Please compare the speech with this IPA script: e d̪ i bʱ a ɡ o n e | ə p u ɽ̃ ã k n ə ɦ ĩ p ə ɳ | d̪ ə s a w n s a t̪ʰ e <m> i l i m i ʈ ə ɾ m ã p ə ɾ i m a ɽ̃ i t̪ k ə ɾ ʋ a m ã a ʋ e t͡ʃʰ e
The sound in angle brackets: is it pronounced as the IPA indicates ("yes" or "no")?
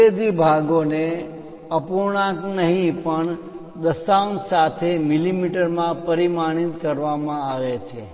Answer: yes